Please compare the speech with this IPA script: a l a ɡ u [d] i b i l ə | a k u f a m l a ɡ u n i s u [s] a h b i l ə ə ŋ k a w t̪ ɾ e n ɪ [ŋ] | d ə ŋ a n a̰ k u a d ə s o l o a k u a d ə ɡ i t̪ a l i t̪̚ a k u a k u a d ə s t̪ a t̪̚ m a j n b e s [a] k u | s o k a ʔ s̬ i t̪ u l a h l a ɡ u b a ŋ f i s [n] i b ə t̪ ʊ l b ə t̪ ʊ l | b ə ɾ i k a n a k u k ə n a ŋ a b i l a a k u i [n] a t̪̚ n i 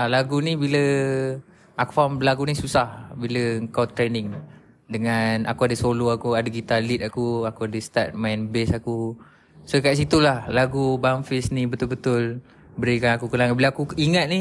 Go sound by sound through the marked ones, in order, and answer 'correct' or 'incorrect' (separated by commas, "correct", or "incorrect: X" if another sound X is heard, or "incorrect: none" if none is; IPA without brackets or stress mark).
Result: incorrect: n, correct, correct, correct, correct, incorrect: ŋ